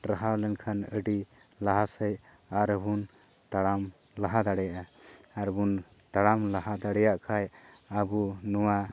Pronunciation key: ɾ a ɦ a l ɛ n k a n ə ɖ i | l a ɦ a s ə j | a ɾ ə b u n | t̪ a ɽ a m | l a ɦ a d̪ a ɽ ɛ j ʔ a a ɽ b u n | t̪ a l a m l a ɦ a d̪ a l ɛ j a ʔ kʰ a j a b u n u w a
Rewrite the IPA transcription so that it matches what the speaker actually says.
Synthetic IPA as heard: ɾ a ɦ a l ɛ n kʰ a n ə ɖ i | l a ɦ a s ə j | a ɾ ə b u n | t̪ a ɽ a m | l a ɦ a d̪ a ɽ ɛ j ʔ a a ɾ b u n | t̪ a ɽ a m l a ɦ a d̪ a ɽ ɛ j a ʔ kʰ a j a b u n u w a